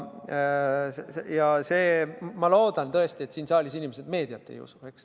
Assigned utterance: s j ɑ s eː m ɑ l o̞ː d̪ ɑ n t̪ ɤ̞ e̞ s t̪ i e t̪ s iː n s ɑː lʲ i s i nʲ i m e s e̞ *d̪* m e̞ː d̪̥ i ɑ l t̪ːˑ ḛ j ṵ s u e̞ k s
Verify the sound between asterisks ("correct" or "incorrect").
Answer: correct